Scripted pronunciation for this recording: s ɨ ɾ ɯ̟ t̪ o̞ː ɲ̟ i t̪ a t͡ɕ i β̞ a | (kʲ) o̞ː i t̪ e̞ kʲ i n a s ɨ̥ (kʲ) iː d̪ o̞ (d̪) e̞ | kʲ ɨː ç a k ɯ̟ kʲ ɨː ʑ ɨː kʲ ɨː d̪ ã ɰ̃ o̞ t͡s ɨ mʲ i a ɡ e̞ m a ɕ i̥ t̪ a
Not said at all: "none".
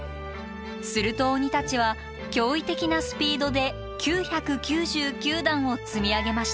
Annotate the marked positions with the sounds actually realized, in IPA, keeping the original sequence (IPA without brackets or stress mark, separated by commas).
kʲ, pʲ, d̪